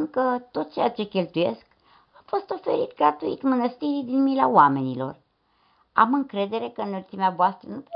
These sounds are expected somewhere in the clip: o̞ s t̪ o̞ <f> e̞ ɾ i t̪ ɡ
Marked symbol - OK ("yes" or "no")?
yes